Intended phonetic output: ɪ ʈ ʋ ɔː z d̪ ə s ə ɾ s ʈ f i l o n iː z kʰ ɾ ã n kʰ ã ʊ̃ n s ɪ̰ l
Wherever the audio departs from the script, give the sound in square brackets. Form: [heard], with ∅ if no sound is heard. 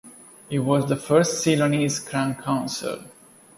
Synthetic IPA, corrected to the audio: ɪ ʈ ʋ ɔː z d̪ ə [f] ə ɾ s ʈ [s] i l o n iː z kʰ ɾ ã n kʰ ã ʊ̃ n s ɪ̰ l

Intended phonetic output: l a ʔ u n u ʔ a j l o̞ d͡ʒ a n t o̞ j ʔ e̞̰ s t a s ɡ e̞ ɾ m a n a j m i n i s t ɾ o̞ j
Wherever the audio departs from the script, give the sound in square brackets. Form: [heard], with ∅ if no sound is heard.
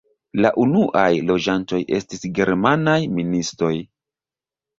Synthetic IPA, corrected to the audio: l a ʔ u n u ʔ a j l o̞ d͡ʒ a n t o̞ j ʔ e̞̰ s t [i] s ɡ e̞ ɾ m a n a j m i n i s t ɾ o̞ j

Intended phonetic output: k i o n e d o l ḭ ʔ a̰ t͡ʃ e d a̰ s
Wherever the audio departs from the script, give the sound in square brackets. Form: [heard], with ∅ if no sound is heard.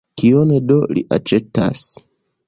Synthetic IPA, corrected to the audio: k i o n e d o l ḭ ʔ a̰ t͡ʃ e [t] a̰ s

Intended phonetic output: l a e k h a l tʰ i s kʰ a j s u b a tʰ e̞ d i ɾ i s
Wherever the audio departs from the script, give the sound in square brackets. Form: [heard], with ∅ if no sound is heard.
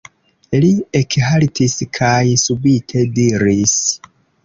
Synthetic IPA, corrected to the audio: l [i] e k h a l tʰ i s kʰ a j s u b [i] tʰ e̞ d i ɾ i s

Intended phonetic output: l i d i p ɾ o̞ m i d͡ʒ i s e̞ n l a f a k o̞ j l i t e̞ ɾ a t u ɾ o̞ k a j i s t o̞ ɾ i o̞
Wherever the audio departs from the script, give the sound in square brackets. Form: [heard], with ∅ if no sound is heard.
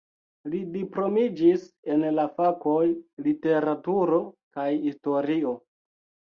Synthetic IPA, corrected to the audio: l i d i p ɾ o̞ m i d͡ʒ i s e̞ n l a f a k o̞ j l i t e̞ ɾ a t u ɾ o̞ k a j i s t o̞ ɾ i o̞

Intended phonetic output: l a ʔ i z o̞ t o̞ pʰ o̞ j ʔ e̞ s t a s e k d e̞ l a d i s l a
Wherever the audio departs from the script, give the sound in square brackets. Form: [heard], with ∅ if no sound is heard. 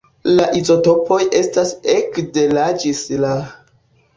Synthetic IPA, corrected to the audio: l a ʔ i z o̞ t o̞ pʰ o̞ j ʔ e̞ s t a s e k d e̞ l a [d͡ʒ] i s l a

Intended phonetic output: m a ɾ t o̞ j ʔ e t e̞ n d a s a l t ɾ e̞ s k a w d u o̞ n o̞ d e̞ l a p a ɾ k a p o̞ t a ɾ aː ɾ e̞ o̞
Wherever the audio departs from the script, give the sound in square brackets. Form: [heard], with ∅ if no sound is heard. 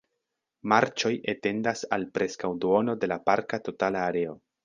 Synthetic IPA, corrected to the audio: m a ɾ [t͡ʃ] o̞ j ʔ e t e̞ n d a s a l [p] ɾ e̞ s k a w d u o̞ n o̞ d e̞ l a p a ɾ k a [t] o̞ t a [l] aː ɾ e̞ o̞

